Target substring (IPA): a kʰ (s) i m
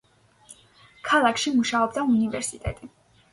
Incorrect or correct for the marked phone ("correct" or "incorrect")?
incorrect